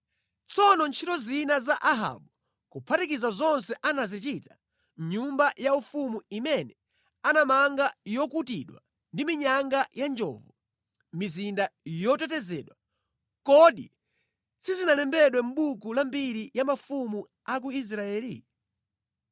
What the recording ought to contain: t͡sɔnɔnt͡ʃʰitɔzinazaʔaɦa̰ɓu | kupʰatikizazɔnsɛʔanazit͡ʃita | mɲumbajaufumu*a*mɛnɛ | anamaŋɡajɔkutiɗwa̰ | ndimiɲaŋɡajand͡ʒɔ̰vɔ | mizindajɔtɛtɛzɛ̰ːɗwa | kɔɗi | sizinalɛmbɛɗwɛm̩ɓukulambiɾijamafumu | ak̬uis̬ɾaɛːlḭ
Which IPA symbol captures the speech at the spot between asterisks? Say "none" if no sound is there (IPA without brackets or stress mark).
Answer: i